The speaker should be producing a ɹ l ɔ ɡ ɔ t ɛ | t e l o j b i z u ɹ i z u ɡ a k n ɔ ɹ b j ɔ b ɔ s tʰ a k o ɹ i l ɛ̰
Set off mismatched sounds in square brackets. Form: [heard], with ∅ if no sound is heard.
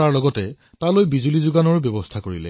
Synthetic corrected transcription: a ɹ l ɔ ɡ ɔ t ɛ | t [a] l o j b i z u [l] i z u ɡ a [∅] n ɔ ɹ b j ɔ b ɔ s tʰ a k o ɹ i l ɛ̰